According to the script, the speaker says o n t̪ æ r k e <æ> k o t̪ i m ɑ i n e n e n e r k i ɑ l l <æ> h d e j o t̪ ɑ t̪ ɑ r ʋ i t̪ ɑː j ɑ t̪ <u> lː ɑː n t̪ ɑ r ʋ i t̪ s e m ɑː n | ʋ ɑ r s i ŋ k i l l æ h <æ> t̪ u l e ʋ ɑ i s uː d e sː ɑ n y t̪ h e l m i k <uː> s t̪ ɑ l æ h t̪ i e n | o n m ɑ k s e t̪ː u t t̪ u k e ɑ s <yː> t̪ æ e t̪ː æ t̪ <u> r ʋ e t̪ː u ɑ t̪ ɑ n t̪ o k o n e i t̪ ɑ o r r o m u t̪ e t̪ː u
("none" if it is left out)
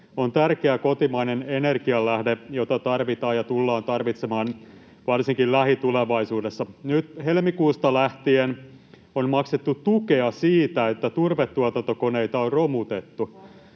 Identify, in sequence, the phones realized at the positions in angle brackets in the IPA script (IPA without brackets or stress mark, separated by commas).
æ, æ, u, i, uː, iː, u